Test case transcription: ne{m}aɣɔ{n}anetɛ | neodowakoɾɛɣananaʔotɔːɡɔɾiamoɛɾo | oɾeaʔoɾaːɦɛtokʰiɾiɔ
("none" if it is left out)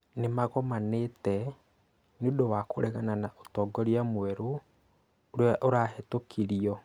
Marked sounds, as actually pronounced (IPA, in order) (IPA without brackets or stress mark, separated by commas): m, m